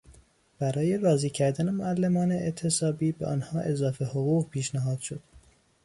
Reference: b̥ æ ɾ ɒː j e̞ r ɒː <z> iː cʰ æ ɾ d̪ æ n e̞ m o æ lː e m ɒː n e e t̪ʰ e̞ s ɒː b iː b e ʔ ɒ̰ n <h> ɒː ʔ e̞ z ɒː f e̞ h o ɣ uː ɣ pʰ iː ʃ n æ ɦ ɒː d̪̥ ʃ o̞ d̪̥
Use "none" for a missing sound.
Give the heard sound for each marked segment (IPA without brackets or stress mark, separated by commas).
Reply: z, h